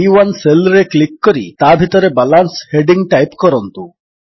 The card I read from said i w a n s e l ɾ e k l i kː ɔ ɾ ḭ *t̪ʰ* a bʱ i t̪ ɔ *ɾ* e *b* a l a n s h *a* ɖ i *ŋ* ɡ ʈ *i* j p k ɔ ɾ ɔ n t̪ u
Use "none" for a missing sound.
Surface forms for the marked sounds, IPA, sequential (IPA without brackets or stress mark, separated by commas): t̪, ɾ, b, e, ŋ, a